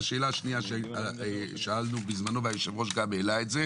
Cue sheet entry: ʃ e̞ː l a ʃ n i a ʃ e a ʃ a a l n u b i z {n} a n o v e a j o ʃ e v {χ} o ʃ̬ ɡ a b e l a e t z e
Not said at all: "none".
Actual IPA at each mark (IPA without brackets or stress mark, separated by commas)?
m, ʁ